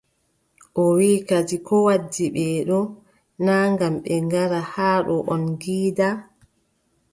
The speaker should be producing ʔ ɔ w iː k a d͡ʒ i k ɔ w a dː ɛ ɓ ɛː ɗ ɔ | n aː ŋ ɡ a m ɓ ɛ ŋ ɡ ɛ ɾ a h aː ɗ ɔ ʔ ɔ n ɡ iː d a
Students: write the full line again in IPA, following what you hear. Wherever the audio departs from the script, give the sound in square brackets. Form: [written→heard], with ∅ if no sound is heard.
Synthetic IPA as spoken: ʔ ɔ w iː k a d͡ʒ i k ɔ w a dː [ɛ→i] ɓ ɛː ɗ ɔ | n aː ŋ ɡ a m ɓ ɛ ŋ ɡ [ɛ→a] ɾ a h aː ɗ ɔ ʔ ɔ n ɡ iː d a